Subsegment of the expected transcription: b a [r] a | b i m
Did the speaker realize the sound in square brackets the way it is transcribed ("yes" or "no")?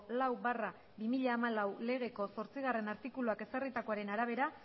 yes